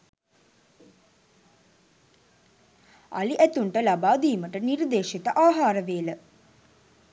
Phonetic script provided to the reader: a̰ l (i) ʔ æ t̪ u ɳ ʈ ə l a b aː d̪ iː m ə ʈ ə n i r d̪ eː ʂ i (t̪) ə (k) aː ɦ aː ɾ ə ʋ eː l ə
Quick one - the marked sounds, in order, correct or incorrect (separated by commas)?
correct, correct, incorrect